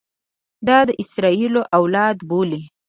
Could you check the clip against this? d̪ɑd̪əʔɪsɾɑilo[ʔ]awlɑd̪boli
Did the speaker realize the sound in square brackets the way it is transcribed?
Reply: yes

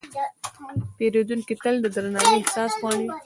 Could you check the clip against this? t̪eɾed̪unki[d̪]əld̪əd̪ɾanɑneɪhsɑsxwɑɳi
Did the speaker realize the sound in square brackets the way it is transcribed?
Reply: no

